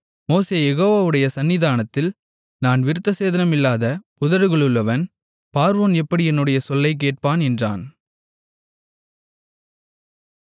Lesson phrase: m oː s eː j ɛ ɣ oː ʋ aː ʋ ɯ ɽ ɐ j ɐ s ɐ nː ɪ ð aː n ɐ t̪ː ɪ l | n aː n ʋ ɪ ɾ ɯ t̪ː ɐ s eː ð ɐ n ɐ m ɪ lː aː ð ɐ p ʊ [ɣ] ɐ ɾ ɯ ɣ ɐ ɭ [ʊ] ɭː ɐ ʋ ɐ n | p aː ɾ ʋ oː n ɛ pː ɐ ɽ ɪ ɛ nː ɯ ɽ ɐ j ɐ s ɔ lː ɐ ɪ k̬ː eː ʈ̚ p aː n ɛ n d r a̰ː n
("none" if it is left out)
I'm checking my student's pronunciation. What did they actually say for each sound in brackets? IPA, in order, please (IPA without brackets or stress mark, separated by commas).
ð, ɯ